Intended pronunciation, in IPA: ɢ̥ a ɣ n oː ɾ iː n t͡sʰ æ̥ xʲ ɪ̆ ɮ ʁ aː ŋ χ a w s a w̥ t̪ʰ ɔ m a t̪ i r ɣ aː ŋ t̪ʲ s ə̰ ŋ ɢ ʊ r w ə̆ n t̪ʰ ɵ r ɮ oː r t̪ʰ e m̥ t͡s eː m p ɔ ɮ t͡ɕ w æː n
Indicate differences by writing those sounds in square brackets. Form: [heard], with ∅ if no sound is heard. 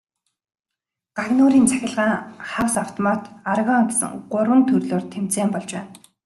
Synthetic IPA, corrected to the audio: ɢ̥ a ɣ n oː ɾ iː n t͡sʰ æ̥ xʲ ɪ̆ ɮ ʁ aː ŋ χ a w s a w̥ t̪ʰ ɔ m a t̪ [a] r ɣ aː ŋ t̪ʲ s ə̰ ŋ ɢ ʊ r w ə̆ n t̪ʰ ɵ r ɮ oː r t̪ʰ e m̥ t͡s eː m p ɔ ɮ t͡ɕ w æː n